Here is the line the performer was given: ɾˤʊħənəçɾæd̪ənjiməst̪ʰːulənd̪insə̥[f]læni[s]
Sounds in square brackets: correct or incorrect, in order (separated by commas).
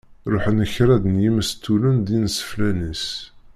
correct, correct